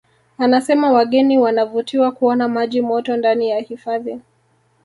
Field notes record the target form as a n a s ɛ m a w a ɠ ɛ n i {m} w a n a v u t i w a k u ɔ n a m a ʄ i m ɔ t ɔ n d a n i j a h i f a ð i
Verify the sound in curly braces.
incorrect: none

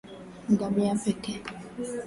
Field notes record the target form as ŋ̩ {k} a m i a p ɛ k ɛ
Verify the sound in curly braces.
incorrect: ɡ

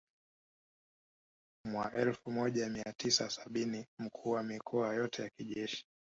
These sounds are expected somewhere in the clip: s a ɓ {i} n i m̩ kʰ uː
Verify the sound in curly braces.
correct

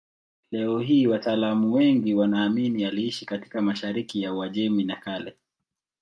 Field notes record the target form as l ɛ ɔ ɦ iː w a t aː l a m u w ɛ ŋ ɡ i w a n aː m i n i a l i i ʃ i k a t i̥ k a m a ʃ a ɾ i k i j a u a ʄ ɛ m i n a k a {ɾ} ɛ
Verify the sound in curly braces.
incorrect: l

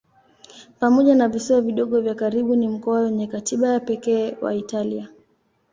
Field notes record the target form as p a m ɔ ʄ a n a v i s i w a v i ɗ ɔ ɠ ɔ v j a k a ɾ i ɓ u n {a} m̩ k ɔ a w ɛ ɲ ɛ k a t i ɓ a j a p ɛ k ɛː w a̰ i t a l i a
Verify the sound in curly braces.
incorrect: i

